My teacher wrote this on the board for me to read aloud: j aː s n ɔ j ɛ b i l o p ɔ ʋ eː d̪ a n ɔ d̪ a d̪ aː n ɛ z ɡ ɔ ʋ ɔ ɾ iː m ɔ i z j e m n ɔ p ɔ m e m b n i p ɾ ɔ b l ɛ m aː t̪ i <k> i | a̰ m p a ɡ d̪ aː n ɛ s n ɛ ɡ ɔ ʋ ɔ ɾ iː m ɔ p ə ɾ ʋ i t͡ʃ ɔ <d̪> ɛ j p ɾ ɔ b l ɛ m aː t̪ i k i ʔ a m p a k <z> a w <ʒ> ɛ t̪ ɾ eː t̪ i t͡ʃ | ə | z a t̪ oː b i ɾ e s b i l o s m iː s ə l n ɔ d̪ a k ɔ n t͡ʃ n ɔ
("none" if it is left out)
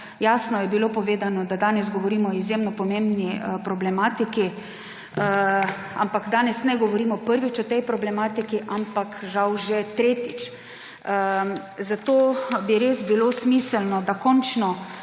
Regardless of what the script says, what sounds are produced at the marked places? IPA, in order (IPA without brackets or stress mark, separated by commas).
k, t̪, ʒ, ʒ